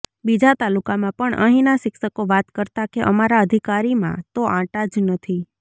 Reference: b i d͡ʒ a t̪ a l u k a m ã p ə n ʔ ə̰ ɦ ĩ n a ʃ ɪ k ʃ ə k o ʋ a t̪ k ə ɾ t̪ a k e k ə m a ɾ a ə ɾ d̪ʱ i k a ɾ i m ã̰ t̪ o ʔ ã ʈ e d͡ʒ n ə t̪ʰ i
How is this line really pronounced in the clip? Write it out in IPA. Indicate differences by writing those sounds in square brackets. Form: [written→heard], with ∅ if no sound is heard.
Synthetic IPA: b i d͡ʒ a t̪ a l u k a m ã p ə [n→ɳ] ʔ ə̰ ɦ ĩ n a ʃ ɪ k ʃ ə k o ʋ a t̪ k ə ɾ t̪ a k e [k→ʔ] ə m a ɾ a ə [ɾ→∅] d̪ʱ i k a ɾ i m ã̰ t̪ o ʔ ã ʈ [e→a] d͡ʒ n ə t̪ʰ i

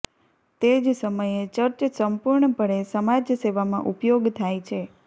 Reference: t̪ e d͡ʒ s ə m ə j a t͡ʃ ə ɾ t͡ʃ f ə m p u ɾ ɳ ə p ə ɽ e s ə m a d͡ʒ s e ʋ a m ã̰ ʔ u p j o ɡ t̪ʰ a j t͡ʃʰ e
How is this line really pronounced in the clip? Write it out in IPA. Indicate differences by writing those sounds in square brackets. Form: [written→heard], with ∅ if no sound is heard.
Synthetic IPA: t̪ e d͡ʒ s ə m ə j [a→e] t͡ʃ ə ɾ t͡ʃ [f→s] ə m p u ɾ ɳ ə p ə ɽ e s ə m a d͡ʒ s e ʋ a m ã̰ ʔ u p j o ɡ t̪ʰ a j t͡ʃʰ e

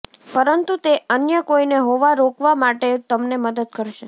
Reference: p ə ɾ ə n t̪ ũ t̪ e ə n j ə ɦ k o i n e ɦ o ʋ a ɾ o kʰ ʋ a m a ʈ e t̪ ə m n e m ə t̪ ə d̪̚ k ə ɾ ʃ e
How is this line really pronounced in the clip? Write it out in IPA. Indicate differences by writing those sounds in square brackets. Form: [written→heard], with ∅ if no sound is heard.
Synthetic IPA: p ə ɾ ə n t̪ [ũ→u] t̪ e ə n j ə [ɦ→∅] k o i n e ɦ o ʋ a ɾ o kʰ ʋ a m a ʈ e t̪ ə m n e m ə [t̪→d̪] ə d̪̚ k ə ɾ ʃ e

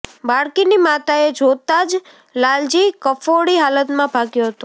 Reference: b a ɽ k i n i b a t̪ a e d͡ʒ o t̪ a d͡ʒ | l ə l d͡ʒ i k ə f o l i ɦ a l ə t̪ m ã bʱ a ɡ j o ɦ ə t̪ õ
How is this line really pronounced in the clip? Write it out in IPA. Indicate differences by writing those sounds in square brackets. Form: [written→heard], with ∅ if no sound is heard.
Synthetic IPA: b a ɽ k i n i [b→m] a t̪ a e d͡ʒ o t̪ a d͡ʒ | l [ə→a] l d͡ʒ i k ə f o [l→ɽ] i ɦ a l ə t̪ m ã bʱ a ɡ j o ɦ ə t̪ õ

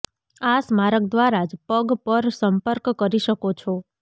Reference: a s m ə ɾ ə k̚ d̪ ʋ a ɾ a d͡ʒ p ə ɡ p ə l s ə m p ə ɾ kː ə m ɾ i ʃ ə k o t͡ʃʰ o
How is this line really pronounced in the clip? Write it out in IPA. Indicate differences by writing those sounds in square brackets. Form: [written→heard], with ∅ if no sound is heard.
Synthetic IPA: a s m [ə→a] ɾ ə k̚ d̪ ʋ a ɾ a d͡ʒ p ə ɡ p ə [l→ɾ] s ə m p ə ɾ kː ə [m→∅] ɾ i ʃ ə k o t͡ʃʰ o

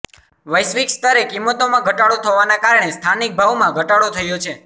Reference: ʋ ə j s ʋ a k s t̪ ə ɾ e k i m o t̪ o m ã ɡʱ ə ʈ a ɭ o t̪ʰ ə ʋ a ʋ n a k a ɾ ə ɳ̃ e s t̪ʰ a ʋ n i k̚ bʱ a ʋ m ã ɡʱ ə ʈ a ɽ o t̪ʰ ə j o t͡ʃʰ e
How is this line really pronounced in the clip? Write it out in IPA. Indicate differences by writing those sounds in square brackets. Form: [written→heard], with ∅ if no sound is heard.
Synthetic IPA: ʋ ə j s ʋ [a→i] k s t̪ ə ɾ e k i m o t̪ o m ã ɡʱ ə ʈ a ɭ o t̪ʰ ə ʋ a [ʋ→∅] n a k a ɾ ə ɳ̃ e s t̪ʰ a [ʋ→∅] n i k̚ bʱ a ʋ m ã ɡʱ ə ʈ a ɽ o t̪ʰ ə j o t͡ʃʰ e

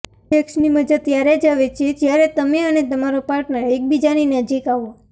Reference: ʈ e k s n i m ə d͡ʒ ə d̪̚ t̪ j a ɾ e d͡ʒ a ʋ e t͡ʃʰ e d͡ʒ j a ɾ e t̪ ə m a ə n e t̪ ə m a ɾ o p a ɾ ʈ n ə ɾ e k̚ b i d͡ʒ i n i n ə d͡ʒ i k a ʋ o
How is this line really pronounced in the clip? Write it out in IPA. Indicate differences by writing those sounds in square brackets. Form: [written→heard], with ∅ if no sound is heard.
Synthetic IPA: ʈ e k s n i m ə d͡ʒ ə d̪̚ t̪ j a ɾ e d͡ʒ a ʋ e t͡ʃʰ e d͡ʒ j a ɾ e t̪ ə m [a→e] ə n e t̪ ə m a ɾ o p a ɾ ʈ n ə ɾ e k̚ b i d͡ʒ [i→a] n i n ə d͡ʒ i k a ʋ o

